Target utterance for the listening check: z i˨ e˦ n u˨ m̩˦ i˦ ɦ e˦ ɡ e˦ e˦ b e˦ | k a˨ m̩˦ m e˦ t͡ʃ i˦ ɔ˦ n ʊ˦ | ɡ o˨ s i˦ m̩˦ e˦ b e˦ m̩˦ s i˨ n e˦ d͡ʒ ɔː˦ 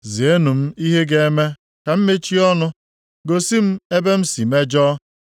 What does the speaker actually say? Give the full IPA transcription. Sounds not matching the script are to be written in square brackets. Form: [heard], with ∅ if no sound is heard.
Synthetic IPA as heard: z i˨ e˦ n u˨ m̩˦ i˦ ɦ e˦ ɡ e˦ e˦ [m] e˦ | k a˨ m̩˦ m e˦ t͡ʃ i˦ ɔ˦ n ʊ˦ | ɡ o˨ s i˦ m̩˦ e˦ b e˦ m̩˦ s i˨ [m] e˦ d͡ʒ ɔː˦